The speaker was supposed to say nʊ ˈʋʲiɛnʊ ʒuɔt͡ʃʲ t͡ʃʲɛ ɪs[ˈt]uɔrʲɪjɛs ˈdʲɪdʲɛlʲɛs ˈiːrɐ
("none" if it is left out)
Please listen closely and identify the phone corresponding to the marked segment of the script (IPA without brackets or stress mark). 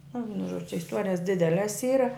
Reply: t